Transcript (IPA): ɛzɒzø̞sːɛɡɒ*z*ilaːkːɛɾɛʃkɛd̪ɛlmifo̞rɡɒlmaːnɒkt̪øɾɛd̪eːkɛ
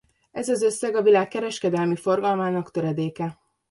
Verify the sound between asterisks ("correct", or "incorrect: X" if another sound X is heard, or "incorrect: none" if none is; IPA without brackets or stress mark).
incorrect: v